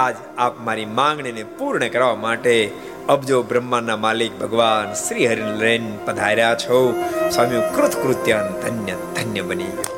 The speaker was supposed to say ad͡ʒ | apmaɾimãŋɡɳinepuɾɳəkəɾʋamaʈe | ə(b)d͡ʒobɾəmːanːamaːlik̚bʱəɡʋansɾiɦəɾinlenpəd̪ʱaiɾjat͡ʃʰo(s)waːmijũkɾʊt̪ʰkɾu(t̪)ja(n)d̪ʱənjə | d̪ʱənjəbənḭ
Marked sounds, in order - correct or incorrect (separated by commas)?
correct, correct, correct, correct